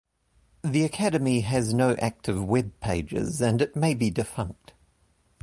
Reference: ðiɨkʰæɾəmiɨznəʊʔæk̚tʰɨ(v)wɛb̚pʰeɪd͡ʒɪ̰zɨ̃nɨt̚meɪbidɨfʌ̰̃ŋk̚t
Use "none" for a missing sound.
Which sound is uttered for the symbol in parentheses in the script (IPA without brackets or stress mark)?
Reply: v